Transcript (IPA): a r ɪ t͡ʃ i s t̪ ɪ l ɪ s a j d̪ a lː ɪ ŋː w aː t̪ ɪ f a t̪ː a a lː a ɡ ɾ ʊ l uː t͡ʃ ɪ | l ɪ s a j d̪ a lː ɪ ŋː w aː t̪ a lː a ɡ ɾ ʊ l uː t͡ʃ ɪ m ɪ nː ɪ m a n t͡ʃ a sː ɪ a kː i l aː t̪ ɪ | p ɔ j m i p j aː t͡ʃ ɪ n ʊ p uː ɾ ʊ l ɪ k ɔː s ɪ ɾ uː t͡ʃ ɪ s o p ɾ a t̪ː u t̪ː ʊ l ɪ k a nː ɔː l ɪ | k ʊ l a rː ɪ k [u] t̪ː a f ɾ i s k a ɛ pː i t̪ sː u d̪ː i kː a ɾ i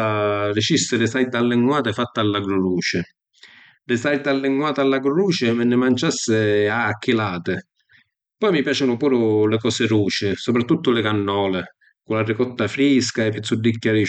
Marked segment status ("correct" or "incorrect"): incorrect